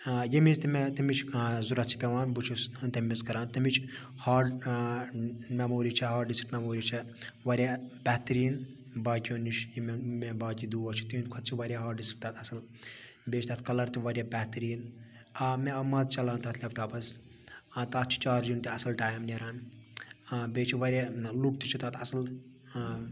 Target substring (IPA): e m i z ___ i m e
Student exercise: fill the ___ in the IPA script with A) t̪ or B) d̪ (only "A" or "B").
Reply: A